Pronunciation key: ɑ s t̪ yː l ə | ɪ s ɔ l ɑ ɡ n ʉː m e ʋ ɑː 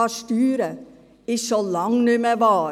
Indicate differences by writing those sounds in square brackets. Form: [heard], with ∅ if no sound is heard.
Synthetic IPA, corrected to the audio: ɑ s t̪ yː [ɾ] ə | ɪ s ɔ l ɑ [ŋ] n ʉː m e ʋ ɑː

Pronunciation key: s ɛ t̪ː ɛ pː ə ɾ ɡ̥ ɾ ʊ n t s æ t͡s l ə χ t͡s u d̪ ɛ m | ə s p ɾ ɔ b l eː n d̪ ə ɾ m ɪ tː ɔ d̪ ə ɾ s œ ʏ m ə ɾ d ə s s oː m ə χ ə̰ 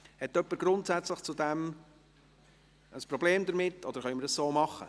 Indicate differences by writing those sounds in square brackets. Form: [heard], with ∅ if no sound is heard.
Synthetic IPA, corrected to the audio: [h] ɛ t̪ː [œ] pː ə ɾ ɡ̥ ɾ ʊ n t s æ t͡s l ə χ t͡s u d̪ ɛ m | ə s p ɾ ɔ b l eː [m] d̪ ə ɾ m ɪ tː ɔ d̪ ə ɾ [χ] œ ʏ m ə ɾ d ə s s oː m [ɑ] χ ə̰

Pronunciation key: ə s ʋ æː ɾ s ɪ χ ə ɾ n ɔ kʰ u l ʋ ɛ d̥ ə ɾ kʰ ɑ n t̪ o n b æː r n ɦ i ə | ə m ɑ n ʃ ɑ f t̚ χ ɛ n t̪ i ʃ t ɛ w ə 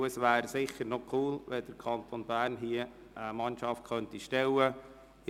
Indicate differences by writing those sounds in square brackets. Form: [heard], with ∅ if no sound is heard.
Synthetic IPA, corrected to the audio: ə s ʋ æː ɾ s ɪ χ ə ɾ n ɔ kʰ [uː] l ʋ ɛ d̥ ə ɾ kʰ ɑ n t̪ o n b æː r n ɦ i ə | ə m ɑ n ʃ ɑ f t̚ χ [œ] n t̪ i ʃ t ɛ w ə

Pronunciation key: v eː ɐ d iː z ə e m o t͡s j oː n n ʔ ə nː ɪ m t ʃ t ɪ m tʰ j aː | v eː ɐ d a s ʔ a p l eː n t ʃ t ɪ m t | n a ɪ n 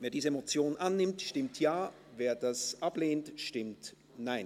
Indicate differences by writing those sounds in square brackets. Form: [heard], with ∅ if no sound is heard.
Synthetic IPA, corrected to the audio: v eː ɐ d iː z ə e m o t͡s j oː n n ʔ [a] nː ɪ m t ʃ t ɪ m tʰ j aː | v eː ɐ d a s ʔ a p l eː n t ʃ t ɪ m t | n a ɪ n

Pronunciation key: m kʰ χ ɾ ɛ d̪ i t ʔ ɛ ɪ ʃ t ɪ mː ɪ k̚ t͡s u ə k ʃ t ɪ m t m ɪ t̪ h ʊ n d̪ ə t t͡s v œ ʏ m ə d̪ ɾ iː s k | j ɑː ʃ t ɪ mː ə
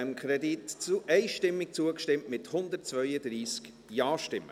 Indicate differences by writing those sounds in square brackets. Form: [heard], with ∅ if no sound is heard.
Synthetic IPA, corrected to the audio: m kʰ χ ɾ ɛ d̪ i t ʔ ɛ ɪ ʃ t ɪ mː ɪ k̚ t͡s u ə k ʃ t ɪ m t m ɪ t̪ h ʊ n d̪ ə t t͡s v œ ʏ [∅] ə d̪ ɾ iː s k | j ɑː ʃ t ɪ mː ə

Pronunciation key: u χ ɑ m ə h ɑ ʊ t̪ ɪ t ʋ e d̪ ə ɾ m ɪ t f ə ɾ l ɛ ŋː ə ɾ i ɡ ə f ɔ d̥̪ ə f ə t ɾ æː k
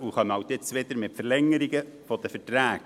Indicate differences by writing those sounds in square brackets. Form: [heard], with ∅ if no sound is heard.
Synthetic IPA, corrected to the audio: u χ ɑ m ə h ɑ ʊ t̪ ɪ [t͡s] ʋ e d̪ ə ɾ m ɪ t f ə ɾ l ɛ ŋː ə ɾ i ɡ ə f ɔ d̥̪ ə f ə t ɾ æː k

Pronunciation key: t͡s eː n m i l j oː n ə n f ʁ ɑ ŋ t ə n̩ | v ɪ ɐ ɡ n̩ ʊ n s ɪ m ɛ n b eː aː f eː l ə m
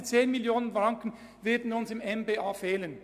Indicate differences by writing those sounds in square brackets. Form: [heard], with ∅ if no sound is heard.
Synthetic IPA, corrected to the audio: t͡s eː n m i l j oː n ə n f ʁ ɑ ŋ [k] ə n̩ | v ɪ ɐ [d] n̩ ʊ n s ɪ m ɛ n b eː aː f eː l ə [n]

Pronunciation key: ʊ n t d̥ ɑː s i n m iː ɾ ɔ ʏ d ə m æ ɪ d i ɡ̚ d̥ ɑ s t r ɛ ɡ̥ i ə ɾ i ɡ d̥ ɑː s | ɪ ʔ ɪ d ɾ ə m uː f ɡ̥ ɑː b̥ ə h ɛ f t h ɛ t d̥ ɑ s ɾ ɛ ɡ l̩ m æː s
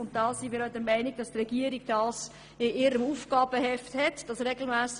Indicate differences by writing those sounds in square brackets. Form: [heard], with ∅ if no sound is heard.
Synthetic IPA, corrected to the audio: ʊ n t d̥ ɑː s i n m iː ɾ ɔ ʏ d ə m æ ɪ [n] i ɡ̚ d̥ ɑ s t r ɛ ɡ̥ i ə ɾ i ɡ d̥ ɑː s | ɪ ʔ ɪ [∅] ɾ ə m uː f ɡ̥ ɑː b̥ ə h ɛ f t h ɛ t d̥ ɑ s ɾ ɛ ɡ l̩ m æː s

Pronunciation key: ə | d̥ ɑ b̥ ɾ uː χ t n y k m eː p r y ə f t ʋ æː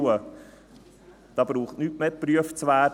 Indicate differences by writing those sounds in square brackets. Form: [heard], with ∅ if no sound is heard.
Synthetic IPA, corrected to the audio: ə | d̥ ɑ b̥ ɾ uː χ t n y [t] m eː p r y ə f [t͡s] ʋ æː

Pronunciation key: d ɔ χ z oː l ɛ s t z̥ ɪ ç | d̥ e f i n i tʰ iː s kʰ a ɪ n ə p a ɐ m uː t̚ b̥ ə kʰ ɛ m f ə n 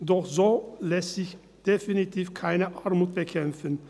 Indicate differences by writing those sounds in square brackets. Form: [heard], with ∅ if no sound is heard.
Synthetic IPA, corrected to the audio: d ɔ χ z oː l ɛ s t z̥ ɪ ç | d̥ e f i n i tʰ iː [f] kʰ a ɪ n ə [ʔ] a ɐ m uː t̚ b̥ ə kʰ ɛ m f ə n

